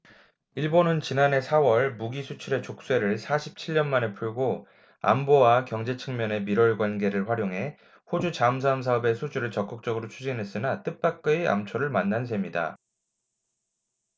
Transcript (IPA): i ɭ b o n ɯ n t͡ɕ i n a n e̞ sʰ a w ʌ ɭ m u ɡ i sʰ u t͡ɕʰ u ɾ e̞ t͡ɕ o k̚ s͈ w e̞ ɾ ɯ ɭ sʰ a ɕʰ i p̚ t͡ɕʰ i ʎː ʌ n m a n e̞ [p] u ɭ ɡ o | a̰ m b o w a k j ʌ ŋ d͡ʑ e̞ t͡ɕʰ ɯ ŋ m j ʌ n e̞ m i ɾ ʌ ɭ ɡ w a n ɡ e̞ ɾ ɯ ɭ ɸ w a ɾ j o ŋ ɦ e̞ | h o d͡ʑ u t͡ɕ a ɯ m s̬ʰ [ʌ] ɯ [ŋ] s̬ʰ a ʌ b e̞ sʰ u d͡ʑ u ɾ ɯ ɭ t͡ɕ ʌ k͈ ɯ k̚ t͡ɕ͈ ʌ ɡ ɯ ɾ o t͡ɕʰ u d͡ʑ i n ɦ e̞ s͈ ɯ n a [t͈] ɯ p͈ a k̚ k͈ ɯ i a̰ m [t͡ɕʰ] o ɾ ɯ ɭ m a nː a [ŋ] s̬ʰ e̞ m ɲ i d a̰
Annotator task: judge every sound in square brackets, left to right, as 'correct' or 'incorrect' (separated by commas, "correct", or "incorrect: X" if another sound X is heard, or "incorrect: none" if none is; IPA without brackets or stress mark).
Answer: incorrect: pʰ, incorrect: a, incorrect: m, correct, correct, incorrect: n